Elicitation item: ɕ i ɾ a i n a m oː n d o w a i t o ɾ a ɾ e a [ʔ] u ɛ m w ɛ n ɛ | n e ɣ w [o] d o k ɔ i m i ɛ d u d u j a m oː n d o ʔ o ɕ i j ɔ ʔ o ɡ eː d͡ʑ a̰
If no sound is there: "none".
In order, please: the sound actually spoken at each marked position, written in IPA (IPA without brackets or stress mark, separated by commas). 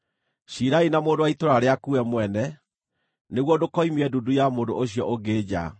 k, ɔ